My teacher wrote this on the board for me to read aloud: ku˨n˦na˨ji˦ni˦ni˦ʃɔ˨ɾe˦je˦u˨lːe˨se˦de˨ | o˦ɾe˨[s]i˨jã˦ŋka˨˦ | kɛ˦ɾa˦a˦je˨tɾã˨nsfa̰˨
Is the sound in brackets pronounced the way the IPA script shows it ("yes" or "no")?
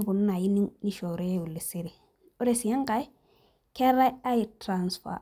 yes